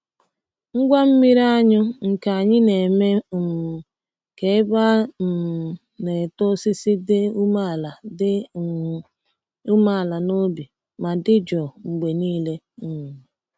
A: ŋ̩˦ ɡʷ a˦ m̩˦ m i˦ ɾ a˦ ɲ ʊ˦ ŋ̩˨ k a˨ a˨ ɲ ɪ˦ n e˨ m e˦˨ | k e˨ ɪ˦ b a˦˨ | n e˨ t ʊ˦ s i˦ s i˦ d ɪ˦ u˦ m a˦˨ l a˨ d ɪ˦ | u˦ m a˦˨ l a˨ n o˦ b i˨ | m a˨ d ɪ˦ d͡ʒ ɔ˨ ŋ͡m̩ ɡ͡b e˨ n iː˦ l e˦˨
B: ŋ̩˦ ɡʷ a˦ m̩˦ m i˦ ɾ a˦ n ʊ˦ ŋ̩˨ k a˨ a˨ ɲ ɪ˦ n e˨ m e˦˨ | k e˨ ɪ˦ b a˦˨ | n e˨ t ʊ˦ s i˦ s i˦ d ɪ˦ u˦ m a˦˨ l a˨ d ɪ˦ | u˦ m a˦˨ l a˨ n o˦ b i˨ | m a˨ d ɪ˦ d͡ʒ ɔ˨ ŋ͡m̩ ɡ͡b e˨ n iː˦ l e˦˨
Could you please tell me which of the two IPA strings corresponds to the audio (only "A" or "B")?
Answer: A